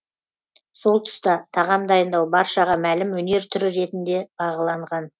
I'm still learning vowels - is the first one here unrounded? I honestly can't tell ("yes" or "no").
no